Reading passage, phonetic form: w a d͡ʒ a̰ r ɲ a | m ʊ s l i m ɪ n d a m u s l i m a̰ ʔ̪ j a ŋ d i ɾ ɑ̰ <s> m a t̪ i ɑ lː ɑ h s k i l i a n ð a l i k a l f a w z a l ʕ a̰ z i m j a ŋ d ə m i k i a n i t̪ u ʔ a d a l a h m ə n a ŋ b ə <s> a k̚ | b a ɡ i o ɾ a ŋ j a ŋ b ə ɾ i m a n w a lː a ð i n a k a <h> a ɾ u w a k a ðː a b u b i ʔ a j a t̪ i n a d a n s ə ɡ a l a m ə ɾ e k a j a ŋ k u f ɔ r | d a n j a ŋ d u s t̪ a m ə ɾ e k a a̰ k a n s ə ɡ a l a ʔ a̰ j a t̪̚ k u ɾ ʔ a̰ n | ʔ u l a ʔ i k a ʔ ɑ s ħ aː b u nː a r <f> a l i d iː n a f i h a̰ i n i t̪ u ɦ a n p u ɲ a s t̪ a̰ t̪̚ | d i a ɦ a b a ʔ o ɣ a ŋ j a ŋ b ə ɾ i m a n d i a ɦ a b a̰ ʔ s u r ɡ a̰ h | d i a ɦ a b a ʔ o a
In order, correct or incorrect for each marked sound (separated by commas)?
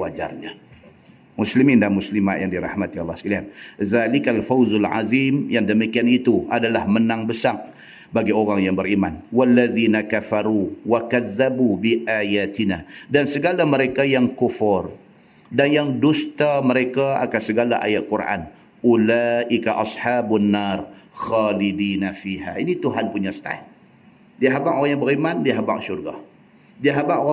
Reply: incorrect, correct, incorrect, incorrect